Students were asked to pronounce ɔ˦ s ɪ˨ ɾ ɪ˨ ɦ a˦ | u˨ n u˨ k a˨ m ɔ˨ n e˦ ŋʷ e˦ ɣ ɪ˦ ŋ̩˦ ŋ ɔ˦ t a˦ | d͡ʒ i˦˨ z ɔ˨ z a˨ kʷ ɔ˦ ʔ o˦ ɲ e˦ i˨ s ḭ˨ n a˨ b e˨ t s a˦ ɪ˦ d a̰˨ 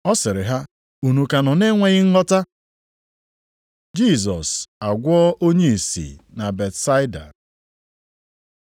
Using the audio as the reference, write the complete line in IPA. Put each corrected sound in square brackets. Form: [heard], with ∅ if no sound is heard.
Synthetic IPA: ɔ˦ s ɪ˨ ɾ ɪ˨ ɦ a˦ | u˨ n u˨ k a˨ [n] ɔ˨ n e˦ ŋʷ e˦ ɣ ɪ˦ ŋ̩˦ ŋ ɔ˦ t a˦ | d͡ʒ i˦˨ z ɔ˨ [s] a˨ [ɡʷ] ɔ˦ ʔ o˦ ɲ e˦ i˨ s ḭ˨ n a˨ b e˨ t s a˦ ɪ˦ d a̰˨